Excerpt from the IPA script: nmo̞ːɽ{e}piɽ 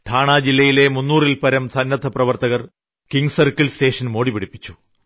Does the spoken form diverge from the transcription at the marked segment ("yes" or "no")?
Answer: yes